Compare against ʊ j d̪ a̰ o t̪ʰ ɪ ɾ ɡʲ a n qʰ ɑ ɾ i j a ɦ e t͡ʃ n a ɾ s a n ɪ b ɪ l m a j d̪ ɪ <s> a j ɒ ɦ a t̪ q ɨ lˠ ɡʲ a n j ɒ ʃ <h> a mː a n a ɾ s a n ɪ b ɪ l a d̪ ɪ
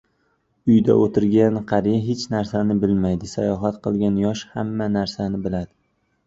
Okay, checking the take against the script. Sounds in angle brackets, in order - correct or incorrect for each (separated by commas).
correct, correct